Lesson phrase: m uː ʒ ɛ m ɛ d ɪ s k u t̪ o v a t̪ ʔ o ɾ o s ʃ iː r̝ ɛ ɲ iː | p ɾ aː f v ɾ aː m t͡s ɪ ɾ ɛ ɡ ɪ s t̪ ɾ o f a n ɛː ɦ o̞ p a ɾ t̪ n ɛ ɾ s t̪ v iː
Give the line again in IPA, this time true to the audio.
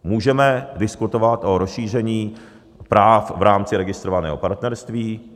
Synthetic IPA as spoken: m uː ʒ ɛ m ɛ d ɪ s k u t̪ o v a t̪ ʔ o ɾ o s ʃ iː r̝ ɛ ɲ iː | p ɾ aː f v ɾ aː m t͡s ɪ ɾ ɛ ɡ ɪ s t̪ ɾ o v a n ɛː ɦ o̞ p a ɾ t̪ n ɛ ɾ s t̪ v iː